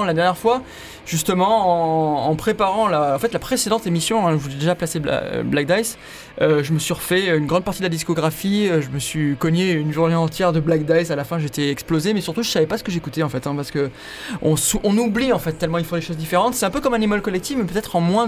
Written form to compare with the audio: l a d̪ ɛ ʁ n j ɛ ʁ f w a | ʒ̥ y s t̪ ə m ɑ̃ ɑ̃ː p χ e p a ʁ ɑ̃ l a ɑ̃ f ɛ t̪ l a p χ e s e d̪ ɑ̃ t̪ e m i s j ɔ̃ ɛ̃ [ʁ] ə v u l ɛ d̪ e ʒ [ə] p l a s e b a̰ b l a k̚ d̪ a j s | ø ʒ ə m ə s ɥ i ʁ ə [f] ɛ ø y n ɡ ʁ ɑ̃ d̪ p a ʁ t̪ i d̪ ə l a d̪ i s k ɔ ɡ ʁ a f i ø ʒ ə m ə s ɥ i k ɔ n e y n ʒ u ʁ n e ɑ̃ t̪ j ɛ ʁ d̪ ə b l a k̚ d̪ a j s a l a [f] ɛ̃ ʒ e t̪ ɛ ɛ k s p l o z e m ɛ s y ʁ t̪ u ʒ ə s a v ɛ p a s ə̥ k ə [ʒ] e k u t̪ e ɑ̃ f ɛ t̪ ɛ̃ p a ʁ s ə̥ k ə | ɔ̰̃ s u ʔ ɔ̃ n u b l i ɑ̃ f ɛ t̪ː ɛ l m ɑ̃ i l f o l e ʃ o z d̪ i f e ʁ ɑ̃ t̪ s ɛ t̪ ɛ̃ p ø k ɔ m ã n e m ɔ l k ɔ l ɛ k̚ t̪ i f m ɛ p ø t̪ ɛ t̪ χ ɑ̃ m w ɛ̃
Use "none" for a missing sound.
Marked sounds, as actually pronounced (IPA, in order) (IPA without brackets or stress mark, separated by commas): ʒ, a, f, f, ʒ